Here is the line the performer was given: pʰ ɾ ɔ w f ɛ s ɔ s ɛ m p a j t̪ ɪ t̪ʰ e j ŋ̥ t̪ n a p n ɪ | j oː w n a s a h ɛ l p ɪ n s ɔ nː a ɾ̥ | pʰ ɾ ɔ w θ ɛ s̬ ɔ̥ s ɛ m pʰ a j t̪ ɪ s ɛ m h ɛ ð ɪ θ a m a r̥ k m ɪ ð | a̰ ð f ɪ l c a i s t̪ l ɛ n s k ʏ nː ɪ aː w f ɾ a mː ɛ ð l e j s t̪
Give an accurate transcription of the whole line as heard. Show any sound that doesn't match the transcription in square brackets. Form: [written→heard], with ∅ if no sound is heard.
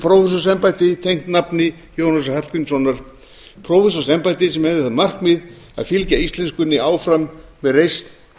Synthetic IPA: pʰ ɾ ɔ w f ɛ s ɔ s ɛ m p a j t̪ ɪ t̪ʰ e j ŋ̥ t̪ n a p n ɪ | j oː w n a s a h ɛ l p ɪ n s ɔ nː a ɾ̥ | pʰ ɾ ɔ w [θ→f] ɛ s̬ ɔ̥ s ɛ m [pʰ→p] a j t̪ ɪ s ɛ m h ɛ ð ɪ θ a m a r̥ k m ɪ ð | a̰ ð f ɪ l c a i s t̪ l ɛ n s k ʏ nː ɪ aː w f ɾ a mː ɛ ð [l→r] e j s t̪

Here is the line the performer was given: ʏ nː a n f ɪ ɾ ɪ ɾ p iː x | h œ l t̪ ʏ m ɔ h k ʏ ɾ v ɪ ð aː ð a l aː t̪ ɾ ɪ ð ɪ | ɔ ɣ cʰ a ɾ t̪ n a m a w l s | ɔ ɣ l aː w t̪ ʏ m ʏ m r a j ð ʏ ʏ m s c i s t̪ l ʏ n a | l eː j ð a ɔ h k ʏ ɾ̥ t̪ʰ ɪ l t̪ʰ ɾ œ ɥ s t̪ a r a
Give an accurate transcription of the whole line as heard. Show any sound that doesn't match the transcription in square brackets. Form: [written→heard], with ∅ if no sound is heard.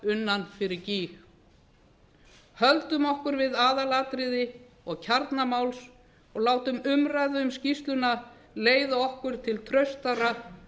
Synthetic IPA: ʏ nː a n f ɪ ɾ ɪ ɾ [p→c] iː x | h œ l t̪ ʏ m ɔ h k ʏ ɾ v ɪ ð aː ð a l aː t̪ ɾ ɪ ð ɪ | ɔ ɣ cʰ a ɾ t̪ n a m a w l s | ɔ ɣ l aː w t̪ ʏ m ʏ m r a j ð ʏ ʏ m s c i s t̪ l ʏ n a | l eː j ð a ɔ h k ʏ ɾ̥ t̪ʰ ɪ l t̪ʰ ɾ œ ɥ s t̪ a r a

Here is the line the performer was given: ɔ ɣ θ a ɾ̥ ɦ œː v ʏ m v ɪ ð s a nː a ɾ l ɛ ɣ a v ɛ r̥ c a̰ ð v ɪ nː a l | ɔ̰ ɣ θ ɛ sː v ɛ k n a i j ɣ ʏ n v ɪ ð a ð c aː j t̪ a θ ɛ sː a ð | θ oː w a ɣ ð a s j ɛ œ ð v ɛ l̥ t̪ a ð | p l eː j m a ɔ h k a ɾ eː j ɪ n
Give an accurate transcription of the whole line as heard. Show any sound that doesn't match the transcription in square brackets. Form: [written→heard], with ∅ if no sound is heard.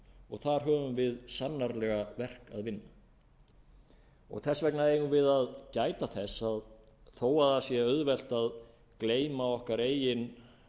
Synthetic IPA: ɔ ɣ θ a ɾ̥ ɦ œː v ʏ m v ɪ ð s a nː a ɾ l ɛ ɣ a v ɛ r̥ [c→k] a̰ ð v ɪ nː a [l→∅] | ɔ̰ ɣ θ ɛ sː v ɛ k n a [i→e] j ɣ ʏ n v ɪ ð a ð c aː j t̪ a θ ɛ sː a ð | θ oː w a [ɣ→∅] ð a s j ɛ œ ð v ɛ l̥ t̪ a ð | [p→k] l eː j m a ɔ h k a ɾ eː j ɪ n

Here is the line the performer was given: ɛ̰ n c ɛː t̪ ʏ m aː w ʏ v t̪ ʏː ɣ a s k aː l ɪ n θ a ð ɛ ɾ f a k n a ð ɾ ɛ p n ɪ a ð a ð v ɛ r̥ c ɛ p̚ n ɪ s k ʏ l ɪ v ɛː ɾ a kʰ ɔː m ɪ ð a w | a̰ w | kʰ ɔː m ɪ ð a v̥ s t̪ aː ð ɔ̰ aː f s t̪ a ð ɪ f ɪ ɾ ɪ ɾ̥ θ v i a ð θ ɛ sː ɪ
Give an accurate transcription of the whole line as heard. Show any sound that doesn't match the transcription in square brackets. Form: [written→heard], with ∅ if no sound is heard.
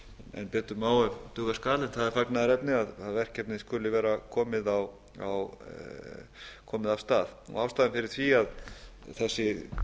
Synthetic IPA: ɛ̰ n [c→p] ɛː t̪ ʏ m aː w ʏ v t̪ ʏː ɣ a s k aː l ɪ n θ a ð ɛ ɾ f a k n a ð ɾ ɛ p n ɪ a ð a ð v ɛ r̥ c ɛ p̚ n ɪ s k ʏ l ɪ v ɛː ɾ a kʰ ɔː m ɪ ð a w | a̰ w | kʰ ɔː m ɪ ð a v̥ s t̪ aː ð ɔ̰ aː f s t̪ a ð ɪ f ɪ ɾ ɪ ɾ̥ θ v i a ð θ ɛ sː ɪ

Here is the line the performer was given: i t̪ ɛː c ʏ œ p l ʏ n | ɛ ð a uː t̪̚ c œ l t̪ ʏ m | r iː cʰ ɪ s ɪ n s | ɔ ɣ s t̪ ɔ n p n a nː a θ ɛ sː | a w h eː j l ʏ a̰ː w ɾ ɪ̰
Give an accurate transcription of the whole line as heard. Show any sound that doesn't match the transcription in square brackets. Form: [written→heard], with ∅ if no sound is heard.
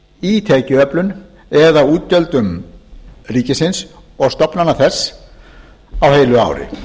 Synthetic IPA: i [t̪→t̪ʰ] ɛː c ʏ œ p l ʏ n | ɛ ð a uː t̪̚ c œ l t̪ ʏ m | r iː [cʰ→c] ɪ s ɪ n s | ɔ ɣ s t̪ ɔ [n→∅] p n a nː a θ ɛ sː | a w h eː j l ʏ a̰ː w ɾ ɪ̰

